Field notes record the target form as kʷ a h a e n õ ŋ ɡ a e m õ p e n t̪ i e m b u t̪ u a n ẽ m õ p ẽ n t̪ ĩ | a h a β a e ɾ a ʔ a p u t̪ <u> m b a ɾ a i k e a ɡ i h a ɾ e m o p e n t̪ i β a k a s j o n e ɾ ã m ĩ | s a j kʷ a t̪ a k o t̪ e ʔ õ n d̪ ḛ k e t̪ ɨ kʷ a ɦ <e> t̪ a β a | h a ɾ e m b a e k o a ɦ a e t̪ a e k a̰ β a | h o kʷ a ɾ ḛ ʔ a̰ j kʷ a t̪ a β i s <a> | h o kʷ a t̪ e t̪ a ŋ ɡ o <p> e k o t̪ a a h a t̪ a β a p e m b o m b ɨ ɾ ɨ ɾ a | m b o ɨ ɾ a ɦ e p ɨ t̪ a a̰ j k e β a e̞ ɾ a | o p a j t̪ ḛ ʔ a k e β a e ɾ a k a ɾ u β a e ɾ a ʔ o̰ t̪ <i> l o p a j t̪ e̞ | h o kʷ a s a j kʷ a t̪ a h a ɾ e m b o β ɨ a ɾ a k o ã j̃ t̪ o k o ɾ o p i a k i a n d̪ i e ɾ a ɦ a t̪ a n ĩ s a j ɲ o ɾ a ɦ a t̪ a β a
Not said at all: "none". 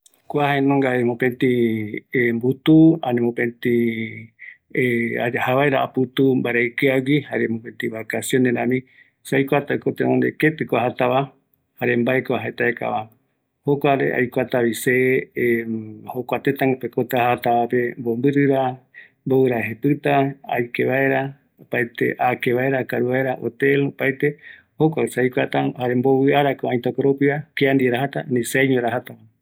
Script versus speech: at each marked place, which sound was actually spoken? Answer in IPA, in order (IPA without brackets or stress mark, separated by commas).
u, a, e, p, e